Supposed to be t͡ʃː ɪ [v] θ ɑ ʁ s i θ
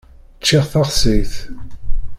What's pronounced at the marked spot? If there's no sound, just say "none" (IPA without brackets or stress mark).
ʁ